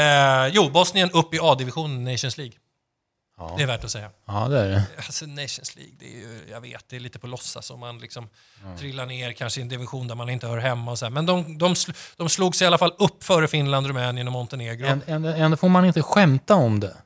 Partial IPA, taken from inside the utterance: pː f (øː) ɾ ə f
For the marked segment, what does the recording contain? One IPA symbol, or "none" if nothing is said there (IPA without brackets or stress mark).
œː